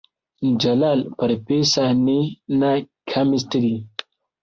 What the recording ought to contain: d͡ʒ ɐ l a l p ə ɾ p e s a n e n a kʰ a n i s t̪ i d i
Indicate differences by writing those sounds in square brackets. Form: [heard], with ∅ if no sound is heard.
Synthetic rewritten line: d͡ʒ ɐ l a l p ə ɾ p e s a n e n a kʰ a [m] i s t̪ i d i